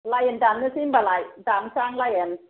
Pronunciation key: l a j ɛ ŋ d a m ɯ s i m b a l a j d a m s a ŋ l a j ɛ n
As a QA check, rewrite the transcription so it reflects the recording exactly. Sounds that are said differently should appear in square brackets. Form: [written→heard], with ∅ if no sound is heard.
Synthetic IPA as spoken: l a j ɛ [ŋ→n] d a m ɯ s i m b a l a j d a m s a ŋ l a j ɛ n